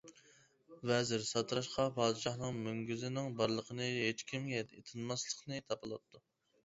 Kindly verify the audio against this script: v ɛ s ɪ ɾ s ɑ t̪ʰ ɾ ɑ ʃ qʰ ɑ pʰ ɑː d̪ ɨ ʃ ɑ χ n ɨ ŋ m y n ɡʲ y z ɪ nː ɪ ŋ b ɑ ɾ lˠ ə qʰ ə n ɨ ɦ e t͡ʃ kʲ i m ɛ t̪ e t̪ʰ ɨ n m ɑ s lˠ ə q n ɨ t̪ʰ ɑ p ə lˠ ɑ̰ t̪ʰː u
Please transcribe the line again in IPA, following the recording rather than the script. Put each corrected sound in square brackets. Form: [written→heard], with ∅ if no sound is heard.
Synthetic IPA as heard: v ɛ [s→z] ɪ ɾ s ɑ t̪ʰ ɾ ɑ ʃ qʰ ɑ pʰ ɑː d̪ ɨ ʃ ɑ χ n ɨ ŋ m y [n→ŋ] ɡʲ y z ɪ [nː→n] ɪ ŋ b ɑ ɾ lˠ ə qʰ ə n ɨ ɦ e t͡ʃ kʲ i m ɛ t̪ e t̪ʰ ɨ n m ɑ s lˠ ə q n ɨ t̪ʰ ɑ p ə lˠ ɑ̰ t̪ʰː u

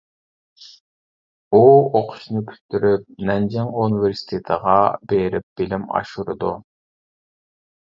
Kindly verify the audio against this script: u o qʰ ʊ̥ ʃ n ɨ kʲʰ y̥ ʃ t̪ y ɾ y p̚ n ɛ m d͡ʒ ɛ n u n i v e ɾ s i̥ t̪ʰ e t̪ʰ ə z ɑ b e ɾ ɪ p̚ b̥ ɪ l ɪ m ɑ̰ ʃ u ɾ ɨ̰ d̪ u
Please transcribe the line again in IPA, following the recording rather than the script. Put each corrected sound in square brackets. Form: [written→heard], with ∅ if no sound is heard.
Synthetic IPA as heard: u o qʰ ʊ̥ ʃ n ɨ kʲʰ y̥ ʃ t̪ y ɾ y p̚ n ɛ [m→n] d͡ʒ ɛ [n→ŋ] u n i v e ɾ s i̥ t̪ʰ e t̪ʰ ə [z→ʁ] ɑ b e ɾ ɪ p̚ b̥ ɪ l ɪ m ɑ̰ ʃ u ɾ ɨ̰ d̪ u

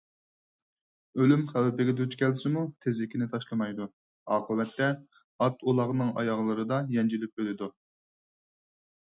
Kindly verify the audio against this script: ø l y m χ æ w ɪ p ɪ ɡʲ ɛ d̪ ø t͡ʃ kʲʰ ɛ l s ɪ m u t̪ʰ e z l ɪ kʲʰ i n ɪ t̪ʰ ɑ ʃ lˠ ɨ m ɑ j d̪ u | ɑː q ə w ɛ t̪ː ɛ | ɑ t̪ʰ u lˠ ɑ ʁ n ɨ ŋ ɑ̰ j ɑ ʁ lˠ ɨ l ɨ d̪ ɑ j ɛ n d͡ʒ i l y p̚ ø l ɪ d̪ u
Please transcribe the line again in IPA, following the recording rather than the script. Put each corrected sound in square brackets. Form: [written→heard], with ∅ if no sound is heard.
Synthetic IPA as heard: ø l y m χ æ w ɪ p ɪ ɡʲ ɛ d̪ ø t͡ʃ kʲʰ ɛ l s ɪ m u t̪ʰ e z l ɪ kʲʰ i n ɪ t̪ʰ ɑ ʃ lˠ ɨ m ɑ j d̪ u | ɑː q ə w ɛ t̪ː ɛ | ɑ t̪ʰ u lˠ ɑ ʁ n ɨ ŋ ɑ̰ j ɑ ʁ lˠ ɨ [l→ɾ] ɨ d̪ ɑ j ɛ n d͡ʒ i l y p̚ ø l ɪ d̪ u

